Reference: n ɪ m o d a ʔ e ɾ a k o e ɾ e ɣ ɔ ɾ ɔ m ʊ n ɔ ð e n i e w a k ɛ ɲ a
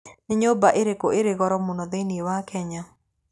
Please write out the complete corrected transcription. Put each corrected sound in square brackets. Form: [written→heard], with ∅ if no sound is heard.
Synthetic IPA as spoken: n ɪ [m→ɲ] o [d→b] a ʔ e ɾ [a→e] k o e ɾ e ɣ ɔ ɾ ɔ m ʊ n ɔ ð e n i e w a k ɛ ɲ a